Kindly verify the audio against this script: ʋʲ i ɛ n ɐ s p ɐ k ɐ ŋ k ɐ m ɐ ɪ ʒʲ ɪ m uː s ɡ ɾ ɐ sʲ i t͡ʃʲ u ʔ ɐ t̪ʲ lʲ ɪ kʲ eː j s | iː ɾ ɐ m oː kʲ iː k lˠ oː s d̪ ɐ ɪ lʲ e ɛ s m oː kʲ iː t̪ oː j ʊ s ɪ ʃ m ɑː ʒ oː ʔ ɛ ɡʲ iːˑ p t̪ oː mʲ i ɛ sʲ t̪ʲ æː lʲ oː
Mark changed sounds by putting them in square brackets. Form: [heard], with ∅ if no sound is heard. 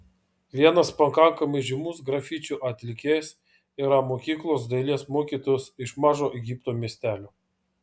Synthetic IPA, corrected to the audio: ʋʲ i ɛ n ɐ s p ɐ k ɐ ŋ k ɐ m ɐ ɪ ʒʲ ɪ m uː s ɡ ɾ ɐ [fʲ] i t͡ʃʲ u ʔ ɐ t̪ʲ lʲ ɪ kʲ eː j s | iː ɾ ɐ m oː kʲ iː k lˠ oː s d̪ ɐ ɪ lʲ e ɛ s m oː kʲ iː t̪ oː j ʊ s ɪ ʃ m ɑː ʒ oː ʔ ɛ ɡʲ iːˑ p t̪ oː mʲ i ɛ sʲ t̪ʲ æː lʲ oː